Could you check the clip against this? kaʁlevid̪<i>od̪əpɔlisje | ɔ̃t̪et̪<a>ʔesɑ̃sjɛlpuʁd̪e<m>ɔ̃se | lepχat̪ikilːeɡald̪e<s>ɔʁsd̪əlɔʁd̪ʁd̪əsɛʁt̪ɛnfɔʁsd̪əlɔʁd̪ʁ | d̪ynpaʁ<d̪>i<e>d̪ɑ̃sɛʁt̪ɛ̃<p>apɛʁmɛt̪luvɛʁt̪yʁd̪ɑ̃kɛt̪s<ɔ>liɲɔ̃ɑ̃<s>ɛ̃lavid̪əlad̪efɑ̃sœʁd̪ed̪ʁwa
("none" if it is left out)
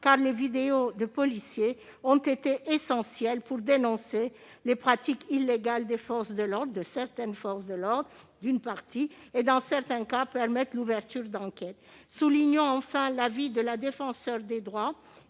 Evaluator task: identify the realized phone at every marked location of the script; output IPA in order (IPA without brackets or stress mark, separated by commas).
e, e, n, f, t̪, e, k, u, f